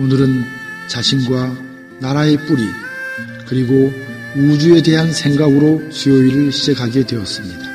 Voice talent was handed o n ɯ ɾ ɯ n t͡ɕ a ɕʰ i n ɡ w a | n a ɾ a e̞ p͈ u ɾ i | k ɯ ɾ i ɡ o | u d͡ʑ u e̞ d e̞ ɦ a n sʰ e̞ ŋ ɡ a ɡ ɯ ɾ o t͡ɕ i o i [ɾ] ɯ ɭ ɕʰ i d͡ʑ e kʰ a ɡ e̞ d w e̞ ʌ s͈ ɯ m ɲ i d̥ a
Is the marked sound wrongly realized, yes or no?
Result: no